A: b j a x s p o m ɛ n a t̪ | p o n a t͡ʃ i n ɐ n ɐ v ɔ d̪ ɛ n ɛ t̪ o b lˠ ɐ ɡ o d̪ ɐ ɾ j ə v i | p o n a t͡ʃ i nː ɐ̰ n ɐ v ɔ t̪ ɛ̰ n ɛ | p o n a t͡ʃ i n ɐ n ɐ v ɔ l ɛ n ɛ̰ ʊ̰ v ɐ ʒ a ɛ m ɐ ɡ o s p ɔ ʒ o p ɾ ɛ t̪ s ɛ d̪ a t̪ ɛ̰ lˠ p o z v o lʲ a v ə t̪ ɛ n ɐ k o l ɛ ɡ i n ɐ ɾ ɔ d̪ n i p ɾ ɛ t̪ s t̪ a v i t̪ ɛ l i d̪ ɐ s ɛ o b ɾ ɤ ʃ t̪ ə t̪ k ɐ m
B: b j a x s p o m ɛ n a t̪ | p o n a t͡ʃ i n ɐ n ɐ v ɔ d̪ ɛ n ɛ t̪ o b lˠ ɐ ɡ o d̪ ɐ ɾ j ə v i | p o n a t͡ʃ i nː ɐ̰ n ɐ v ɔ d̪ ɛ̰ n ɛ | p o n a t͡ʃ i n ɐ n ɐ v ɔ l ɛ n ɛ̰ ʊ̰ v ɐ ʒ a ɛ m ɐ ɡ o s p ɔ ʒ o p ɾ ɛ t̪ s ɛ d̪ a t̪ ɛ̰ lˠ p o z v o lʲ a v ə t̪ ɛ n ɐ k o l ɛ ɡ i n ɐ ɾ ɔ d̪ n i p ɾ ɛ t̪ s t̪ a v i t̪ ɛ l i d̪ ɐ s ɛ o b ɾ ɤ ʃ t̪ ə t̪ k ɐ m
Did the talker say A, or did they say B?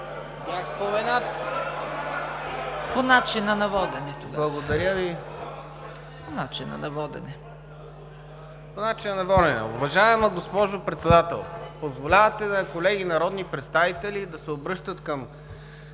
B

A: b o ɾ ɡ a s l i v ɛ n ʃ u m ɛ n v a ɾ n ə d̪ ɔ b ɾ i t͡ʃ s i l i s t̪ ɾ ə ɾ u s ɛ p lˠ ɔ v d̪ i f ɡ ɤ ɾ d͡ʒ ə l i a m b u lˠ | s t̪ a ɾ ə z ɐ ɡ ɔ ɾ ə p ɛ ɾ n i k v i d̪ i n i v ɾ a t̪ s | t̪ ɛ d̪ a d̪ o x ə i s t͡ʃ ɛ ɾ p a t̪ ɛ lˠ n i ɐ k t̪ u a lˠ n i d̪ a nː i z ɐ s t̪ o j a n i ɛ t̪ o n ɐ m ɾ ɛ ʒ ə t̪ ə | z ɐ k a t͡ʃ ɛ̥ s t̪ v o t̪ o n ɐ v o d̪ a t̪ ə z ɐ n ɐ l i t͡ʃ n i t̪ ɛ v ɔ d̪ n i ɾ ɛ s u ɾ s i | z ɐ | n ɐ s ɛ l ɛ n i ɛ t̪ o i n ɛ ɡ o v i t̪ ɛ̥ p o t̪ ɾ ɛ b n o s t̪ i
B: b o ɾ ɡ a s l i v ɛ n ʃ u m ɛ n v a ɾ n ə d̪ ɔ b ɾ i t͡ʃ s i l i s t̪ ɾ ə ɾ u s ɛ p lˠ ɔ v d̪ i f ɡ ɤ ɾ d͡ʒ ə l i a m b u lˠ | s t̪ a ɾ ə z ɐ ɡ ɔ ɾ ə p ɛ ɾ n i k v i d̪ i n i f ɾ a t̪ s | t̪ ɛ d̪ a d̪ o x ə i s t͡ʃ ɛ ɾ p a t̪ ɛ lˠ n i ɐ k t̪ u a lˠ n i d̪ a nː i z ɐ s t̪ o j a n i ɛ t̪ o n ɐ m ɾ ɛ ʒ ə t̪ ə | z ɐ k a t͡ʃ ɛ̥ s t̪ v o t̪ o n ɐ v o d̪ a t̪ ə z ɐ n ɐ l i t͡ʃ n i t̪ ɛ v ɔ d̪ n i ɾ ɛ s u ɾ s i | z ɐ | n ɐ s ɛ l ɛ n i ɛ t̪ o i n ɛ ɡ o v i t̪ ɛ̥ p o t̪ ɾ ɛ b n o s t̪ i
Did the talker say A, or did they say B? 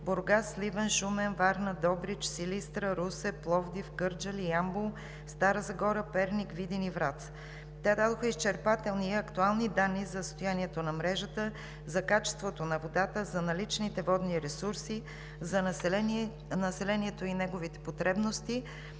A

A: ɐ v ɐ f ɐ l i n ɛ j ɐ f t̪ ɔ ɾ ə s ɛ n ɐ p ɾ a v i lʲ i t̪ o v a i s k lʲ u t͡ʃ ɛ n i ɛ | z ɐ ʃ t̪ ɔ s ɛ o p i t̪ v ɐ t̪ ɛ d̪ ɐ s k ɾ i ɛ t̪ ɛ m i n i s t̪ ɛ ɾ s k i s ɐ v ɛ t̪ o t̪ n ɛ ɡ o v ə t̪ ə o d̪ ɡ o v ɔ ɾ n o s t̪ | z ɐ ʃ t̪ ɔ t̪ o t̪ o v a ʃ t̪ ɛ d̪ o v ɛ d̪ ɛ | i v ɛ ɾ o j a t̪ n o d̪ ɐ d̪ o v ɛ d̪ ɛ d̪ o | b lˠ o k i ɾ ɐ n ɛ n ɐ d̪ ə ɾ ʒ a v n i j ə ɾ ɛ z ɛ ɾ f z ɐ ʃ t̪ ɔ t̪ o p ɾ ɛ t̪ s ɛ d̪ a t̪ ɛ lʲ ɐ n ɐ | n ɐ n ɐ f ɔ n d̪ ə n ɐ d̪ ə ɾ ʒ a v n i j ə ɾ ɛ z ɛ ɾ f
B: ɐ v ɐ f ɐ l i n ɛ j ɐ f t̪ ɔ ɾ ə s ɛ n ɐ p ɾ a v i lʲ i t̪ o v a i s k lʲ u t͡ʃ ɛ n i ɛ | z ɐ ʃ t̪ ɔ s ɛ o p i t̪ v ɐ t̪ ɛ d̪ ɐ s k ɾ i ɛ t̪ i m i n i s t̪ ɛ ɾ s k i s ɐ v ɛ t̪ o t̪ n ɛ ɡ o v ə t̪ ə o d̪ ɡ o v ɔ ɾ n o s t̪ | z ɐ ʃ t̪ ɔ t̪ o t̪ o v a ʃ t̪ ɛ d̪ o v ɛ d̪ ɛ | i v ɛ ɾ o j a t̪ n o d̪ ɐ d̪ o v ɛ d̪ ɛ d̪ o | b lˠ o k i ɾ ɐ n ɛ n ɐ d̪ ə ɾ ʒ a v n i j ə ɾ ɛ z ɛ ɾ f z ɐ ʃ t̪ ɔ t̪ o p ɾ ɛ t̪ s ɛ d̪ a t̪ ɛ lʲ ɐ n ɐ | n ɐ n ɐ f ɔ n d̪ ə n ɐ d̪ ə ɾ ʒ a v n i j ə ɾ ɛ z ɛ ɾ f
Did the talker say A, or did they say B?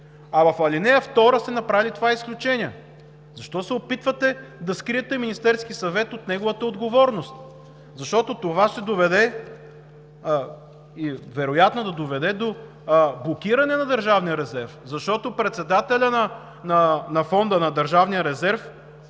A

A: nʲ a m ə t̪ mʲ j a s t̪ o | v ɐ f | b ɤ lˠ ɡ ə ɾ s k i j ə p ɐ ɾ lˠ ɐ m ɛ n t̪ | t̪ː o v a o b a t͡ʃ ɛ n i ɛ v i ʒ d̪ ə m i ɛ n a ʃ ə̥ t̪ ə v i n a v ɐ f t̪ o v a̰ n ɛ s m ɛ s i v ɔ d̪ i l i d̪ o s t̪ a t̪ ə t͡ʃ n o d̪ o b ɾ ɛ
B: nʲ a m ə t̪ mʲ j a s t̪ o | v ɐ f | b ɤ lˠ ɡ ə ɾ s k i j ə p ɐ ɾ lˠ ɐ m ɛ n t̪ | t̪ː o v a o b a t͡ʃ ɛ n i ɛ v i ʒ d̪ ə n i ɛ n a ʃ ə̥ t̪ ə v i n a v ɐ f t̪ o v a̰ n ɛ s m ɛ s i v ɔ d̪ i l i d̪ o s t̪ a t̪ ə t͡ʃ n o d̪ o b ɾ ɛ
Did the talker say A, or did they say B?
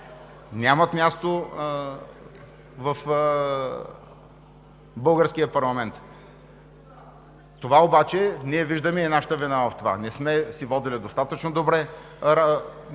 A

